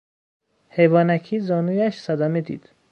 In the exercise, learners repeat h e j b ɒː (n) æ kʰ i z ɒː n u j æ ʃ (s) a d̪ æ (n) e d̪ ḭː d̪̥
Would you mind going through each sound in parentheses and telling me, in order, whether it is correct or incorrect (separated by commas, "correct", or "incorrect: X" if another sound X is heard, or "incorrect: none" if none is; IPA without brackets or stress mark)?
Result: correct, correct, incorrect: m